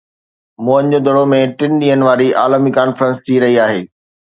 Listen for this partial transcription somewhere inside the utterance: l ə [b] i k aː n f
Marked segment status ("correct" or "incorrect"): incorrect